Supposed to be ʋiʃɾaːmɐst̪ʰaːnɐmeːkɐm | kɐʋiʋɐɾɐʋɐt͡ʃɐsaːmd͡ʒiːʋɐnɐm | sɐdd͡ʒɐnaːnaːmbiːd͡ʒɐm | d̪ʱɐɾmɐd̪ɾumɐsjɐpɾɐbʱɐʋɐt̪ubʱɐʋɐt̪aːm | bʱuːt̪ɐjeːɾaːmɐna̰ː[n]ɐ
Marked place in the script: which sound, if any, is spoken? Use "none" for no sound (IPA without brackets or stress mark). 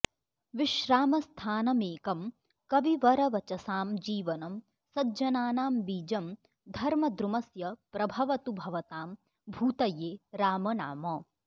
m